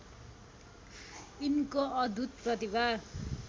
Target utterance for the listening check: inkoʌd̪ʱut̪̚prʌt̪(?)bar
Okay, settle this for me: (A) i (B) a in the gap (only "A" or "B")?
A